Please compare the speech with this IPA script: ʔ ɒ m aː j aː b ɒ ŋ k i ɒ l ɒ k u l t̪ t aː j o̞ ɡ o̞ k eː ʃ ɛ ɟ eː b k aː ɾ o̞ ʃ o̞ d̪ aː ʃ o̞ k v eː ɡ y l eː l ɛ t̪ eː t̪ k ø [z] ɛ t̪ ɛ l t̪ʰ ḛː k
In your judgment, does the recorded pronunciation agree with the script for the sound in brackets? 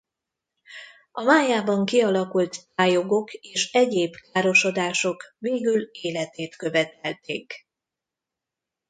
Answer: no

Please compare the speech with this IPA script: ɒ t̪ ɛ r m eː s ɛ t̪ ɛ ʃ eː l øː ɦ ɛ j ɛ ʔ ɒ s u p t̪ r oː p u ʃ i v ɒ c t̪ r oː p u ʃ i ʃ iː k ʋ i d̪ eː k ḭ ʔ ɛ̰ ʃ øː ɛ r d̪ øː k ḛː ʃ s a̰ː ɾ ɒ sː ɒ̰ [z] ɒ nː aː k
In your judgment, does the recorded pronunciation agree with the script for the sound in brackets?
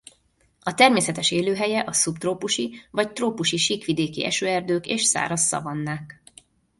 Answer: no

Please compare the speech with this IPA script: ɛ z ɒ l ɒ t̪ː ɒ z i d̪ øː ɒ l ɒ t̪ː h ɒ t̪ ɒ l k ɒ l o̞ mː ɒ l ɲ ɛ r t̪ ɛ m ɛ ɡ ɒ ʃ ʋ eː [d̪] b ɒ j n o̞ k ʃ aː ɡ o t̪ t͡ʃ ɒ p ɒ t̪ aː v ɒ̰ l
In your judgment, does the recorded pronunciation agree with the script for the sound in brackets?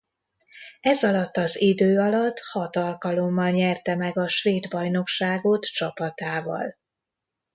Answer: yes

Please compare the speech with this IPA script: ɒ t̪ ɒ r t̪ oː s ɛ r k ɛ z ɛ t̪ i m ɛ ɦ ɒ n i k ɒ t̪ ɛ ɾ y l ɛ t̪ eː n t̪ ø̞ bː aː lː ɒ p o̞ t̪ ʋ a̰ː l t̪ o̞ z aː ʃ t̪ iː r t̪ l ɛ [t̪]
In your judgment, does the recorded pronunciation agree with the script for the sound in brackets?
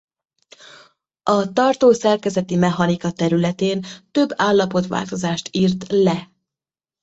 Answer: no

